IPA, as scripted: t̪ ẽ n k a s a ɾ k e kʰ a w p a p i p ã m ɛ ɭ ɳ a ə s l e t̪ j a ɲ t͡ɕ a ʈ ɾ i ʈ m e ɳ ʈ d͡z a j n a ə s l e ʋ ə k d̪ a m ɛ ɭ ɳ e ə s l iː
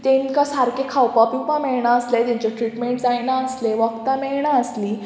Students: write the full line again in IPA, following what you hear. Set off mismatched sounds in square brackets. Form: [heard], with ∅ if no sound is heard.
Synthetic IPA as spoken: t̪ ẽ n k a s a ɾ k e kʰ a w p a p i p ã m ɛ ɭ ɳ a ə s l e t̪ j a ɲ t͡ɕ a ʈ ɾ i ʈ m e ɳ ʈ d͡z a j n a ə s l e ʋ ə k [t̪] a m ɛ ɭ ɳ [a] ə s l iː